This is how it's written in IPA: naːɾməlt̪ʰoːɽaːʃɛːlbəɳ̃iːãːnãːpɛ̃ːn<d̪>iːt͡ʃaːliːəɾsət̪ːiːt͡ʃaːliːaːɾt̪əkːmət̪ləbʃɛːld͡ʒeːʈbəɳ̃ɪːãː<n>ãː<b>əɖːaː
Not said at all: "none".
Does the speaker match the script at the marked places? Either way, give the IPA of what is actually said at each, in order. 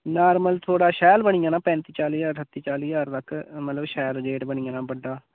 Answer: t̪, n, b

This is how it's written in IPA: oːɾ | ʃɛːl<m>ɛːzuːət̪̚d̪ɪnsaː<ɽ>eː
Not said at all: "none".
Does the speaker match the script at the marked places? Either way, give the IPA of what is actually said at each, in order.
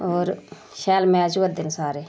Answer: m, ɾ

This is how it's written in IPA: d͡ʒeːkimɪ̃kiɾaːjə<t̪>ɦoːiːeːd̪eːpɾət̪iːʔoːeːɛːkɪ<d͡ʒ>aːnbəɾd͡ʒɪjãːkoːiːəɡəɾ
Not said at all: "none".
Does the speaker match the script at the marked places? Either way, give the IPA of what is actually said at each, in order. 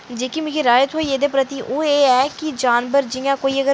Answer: t̪, d͡ʒ

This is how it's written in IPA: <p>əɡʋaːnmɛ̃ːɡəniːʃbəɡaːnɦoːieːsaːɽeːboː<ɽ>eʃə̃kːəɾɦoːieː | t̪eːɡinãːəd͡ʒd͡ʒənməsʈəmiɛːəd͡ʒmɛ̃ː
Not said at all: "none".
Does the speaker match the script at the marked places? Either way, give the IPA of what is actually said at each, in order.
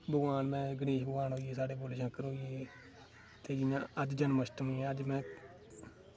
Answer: b, l

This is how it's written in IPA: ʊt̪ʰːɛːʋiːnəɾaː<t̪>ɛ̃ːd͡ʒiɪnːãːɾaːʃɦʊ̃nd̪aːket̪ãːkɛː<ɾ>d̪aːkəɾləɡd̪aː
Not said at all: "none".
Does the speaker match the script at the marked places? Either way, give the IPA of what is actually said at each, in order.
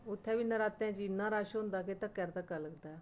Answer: t̪, ɾ

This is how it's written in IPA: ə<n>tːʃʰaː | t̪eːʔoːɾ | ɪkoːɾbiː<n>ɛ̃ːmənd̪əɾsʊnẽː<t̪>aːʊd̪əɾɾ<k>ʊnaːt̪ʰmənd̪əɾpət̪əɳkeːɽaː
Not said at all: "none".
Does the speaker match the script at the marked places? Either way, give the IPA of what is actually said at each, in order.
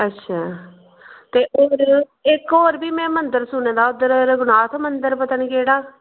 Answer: none, m, d̪, ɡ

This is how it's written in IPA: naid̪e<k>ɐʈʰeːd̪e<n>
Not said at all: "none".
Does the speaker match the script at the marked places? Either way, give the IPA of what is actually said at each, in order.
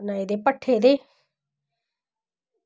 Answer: p, none

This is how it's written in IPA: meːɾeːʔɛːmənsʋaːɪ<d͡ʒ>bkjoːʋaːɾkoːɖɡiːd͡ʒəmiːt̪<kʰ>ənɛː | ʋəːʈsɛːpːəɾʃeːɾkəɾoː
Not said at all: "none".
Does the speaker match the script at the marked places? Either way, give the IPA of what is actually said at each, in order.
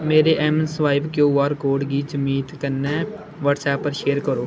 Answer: none, k

